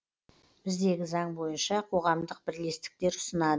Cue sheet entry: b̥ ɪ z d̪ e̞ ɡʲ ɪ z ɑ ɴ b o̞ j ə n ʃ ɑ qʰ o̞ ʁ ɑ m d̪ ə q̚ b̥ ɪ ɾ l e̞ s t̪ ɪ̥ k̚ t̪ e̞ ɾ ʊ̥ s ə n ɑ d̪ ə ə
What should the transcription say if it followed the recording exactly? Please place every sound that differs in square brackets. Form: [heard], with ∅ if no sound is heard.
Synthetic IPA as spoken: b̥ ɪ z d̪ e̞ ɡʲ ɪ z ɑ ɴ b o̞ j ə n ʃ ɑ qʰ o̞ ʁ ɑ m d̪ ə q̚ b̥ ɪ ɾ l e̞ s t̪ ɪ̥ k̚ t̪ e̞ ɾ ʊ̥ s ə n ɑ d̪ ə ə